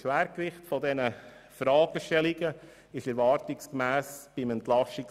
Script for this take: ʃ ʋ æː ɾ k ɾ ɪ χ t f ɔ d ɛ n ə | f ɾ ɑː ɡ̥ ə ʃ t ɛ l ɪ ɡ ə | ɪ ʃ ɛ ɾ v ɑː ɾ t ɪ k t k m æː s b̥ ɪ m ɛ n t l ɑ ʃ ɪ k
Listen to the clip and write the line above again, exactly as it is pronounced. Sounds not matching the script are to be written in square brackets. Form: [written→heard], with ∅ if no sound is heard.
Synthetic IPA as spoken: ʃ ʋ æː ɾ k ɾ ɪ χ t f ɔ d ɛ n ə | f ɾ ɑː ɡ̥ ə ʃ t ɛ l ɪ ɡ ə | ɪ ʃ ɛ ɾ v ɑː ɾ t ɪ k [t→s] k m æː s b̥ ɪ m ɛ n t l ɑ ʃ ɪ k